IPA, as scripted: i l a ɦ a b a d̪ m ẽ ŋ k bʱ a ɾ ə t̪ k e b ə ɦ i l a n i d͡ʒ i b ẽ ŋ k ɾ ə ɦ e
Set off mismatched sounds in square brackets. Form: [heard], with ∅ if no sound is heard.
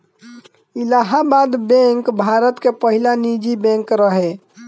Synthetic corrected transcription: i l a ɦ a b a d̪ [b] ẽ ŋ k bʱ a ɾ ə t̪ k e [p] ə ɦ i l a n i d͡ʒ i b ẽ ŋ k ɾ ə ɦ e